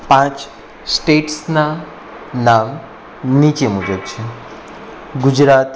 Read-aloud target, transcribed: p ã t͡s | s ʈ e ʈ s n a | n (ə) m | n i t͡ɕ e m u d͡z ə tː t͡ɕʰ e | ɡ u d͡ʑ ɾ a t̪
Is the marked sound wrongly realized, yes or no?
yes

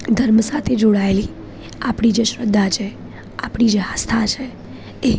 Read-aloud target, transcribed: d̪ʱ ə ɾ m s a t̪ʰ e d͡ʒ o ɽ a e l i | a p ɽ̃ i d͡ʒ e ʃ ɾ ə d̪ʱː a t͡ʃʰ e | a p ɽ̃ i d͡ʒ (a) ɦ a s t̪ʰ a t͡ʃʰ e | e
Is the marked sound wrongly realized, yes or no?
yes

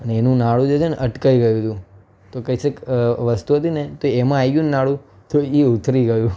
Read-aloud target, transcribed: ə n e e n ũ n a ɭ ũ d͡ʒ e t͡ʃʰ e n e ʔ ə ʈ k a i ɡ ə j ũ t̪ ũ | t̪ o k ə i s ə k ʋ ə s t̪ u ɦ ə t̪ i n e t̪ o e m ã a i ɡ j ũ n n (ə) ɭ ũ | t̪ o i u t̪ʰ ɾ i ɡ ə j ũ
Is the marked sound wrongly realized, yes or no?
yes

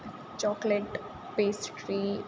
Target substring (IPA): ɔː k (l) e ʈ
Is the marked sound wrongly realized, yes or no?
no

